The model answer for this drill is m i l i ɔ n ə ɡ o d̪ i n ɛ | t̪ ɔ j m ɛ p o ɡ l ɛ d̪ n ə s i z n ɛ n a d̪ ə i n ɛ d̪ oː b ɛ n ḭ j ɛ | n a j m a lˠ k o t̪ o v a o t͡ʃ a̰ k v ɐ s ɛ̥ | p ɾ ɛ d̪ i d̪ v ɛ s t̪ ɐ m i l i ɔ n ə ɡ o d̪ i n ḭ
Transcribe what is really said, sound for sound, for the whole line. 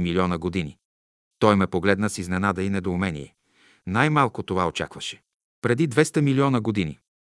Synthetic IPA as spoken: m i l i ɔ n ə ɡ o d̪ i n i | t̪ ɔ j m ɛ p o ɡ l ɛ d̪ n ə s i z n ɛ n a d̪ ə i n ɛ d̪ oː m ɛ n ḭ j ɛ | n a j m a lˠ k o t̪ o v a o t͡ʃ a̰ k v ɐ ʃ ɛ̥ | p ɾ ɛ d̪ i d̪ v ɛ s t̪ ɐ m i l i ɔ n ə ɡ o d̪ i n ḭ